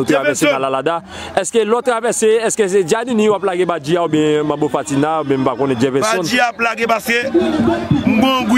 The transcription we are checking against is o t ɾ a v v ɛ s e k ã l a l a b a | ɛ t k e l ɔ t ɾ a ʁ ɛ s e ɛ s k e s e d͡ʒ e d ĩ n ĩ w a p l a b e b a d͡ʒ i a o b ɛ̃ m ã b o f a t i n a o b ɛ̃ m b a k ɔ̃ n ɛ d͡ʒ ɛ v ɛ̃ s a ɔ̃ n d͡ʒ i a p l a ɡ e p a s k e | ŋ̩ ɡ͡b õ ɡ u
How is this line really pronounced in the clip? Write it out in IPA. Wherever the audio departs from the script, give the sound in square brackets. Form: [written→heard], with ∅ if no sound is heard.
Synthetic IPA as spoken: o t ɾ a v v ɛ s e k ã l a l a [b→d] a | ɛ [t→s] k e l ɔ t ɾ a [ʁ→v] ɛ s e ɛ s k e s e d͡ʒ [e→a] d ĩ n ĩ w a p l a [b→ɡ] e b a d͡ʒ i a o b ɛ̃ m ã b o f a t i n a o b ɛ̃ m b a k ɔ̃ n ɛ d͡ʒ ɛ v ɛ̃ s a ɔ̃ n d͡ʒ i a p l a ɡ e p a s k e | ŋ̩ ɡ͡b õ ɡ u